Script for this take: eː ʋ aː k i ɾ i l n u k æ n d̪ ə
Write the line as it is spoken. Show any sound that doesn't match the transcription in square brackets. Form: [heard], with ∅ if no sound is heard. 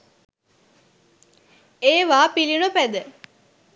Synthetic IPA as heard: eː ʋ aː [p] i [l] i [∅] n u [p] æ [∅] d̪ ə